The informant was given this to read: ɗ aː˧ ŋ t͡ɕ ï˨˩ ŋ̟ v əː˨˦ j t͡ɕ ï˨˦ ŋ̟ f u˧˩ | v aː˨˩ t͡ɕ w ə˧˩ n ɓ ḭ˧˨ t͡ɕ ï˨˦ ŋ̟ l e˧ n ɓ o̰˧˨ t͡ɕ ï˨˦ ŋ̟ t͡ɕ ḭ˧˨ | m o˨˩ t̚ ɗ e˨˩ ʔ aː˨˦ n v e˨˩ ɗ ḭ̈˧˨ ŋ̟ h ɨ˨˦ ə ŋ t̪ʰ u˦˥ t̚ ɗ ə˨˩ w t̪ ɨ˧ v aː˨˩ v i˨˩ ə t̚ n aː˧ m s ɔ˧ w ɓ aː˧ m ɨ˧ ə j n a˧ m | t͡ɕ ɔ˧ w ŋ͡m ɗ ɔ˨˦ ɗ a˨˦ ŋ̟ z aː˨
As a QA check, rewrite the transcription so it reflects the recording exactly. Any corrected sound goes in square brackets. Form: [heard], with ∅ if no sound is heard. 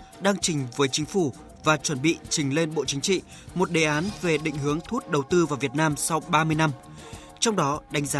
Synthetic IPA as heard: ɗ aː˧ ŋ t͡ɕ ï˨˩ ŋ̟ v əː˨˦ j t͡ɕ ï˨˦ ŋ̟ f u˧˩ | v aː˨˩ t͡ɕ w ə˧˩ n ɓ ḭ˧˨ t͡ɕ [ï˨˩] ŋ̟ l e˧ n ɓ o̰˧˨ t͡ɕ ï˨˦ ŋ̟ t͡ɕ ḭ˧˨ | m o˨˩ t̚ ɗ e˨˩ ʔ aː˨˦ n v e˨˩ ɗ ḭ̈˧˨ ŋ̟ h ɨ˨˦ ə ŋ t̪ʰ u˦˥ t̚ ɗ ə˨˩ w t̪ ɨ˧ v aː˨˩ v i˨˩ ə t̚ n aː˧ m s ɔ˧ w ɓ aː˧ m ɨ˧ ə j n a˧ m | t͡ɕ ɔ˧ w ŋ͡m ɗ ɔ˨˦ ɗ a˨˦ ŋ̟ z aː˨